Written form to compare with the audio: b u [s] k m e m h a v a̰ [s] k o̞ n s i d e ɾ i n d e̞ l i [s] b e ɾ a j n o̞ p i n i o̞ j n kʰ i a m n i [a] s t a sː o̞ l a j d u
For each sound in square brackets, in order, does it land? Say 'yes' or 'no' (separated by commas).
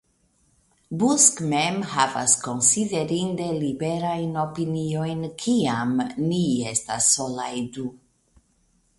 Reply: yes, yes, no, no